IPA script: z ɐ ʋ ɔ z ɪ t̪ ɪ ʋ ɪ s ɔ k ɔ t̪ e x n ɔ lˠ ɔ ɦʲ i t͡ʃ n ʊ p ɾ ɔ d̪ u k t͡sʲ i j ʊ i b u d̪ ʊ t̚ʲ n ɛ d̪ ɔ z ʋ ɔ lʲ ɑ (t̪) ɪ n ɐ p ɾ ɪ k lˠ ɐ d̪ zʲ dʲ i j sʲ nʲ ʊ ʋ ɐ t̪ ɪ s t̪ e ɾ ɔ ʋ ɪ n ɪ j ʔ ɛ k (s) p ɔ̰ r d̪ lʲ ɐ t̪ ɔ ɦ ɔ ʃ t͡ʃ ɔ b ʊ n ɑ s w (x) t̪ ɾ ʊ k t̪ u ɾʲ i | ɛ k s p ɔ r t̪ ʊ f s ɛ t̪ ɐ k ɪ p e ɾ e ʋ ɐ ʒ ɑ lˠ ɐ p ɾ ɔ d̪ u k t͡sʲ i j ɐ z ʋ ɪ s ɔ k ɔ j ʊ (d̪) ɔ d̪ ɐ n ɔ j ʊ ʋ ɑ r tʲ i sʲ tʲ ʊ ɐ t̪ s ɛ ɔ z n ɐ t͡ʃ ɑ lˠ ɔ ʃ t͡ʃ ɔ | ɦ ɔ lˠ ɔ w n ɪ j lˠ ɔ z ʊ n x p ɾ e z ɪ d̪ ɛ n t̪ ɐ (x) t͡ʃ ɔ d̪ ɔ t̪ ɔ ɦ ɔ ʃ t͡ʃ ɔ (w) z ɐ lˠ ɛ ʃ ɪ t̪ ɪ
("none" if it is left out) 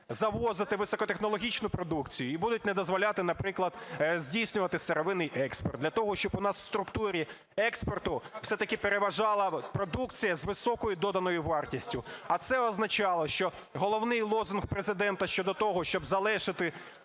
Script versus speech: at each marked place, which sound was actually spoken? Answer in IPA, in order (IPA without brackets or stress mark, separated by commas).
t̪, s, s, d̪, ʃ, b